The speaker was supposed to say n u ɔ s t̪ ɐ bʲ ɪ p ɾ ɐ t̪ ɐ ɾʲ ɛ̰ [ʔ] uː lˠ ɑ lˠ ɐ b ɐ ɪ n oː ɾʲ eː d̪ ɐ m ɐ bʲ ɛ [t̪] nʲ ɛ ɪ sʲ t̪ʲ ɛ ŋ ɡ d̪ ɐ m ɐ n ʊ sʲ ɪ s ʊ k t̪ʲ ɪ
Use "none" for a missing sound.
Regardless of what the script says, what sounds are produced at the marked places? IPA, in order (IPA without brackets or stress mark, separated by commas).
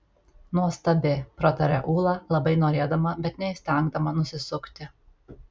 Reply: ʔ, t̪